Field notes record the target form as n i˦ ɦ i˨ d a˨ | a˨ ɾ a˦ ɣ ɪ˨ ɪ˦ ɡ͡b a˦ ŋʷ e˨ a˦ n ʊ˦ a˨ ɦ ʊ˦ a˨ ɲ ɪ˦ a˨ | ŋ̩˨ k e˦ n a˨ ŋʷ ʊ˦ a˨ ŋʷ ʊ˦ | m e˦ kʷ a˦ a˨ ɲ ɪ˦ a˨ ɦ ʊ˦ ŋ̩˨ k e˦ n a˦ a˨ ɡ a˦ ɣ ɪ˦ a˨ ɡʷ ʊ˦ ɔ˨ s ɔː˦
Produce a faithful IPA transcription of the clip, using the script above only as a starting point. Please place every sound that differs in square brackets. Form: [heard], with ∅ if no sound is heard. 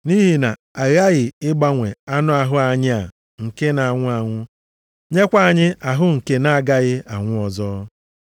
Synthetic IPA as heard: n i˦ ɦ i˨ [n] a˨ | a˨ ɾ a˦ ɣ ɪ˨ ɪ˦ ɡ͡b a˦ ŋʷ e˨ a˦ n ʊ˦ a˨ ɦ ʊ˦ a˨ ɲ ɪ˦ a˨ | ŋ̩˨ k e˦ n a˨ ŋʷ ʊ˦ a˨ ŋʷ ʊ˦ | [ɲ] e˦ kʷ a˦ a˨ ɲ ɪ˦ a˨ ɦ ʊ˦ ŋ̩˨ k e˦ n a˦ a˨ ɡ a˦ ɣ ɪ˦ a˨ [ŋʷ] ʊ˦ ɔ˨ [z] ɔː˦